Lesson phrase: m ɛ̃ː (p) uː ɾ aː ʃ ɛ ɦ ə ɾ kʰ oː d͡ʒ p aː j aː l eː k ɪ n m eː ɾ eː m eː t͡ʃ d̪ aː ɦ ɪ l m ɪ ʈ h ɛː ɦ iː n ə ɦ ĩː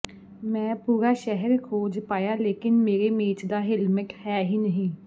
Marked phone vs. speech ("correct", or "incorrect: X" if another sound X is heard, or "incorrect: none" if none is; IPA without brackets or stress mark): correct